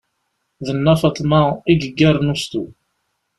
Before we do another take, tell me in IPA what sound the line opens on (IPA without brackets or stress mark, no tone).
ð